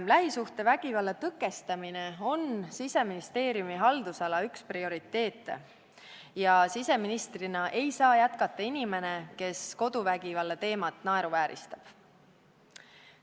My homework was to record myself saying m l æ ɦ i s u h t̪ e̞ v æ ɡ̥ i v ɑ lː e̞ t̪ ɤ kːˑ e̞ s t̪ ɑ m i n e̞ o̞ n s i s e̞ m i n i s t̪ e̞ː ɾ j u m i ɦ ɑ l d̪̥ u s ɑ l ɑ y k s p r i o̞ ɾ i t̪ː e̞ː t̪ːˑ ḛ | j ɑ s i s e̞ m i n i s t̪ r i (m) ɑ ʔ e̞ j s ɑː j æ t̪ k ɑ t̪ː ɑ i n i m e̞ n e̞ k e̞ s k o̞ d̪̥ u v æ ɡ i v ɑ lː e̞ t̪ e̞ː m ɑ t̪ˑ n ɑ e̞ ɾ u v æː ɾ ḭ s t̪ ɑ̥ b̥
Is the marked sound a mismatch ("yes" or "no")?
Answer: yes